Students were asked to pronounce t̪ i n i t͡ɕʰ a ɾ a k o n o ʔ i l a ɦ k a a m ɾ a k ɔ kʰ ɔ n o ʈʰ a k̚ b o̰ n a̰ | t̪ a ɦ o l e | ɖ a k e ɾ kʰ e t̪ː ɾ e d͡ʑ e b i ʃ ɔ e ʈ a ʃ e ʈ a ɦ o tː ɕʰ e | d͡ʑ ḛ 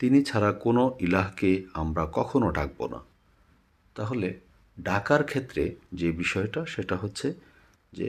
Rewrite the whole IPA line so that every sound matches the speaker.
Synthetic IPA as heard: t̪ i n i t͡ɕʰ a ɾ a k o n o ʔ i l a ɦ k e a m ɾ a k ɔ kʰ o n o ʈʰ a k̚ b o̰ n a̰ | t̪ a ɦ o l e | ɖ a k a ɾ kʰ e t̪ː ɾ e d͡ʑ e b i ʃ ɔ e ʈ a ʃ e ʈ a ɦ o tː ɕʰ e | d͡ʑ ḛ